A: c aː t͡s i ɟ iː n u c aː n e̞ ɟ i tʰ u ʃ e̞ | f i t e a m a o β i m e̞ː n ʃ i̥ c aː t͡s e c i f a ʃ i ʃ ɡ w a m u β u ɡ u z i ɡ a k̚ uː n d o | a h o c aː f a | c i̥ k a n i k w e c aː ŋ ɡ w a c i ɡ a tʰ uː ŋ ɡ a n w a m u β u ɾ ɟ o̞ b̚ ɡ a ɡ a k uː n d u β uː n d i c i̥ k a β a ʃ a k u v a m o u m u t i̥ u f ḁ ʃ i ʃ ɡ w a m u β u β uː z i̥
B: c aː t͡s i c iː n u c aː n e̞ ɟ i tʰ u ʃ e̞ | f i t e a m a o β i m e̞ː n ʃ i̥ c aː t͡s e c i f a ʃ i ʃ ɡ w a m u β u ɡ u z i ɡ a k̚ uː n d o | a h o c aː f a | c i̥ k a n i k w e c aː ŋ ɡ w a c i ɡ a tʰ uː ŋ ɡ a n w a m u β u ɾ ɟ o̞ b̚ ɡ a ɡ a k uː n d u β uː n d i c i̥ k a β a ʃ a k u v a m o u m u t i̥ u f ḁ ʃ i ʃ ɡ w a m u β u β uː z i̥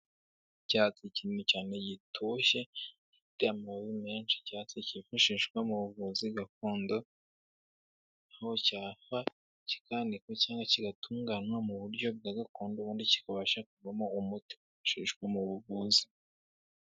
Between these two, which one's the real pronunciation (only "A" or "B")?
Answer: B